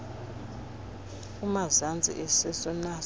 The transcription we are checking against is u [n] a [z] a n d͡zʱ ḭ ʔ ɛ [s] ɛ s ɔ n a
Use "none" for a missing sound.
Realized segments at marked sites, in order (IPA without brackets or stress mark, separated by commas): m, z, s